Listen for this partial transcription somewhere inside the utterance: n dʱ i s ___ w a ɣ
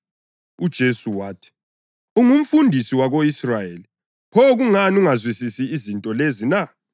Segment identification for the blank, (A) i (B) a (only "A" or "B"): A